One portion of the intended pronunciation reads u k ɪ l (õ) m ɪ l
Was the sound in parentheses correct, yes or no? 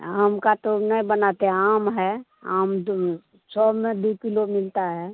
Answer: no